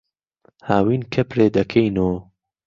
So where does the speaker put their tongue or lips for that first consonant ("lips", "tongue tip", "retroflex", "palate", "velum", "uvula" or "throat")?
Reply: throat